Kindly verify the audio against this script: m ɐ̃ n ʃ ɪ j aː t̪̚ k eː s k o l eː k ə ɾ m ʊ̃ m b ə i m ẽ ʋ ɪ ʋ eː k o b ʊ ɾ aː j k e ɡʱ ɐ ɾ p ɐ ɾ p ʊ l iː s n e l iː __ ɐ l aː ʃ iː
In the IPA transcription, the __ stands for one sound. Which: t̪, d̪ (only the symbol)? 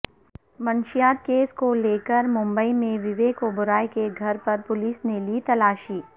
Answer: t̪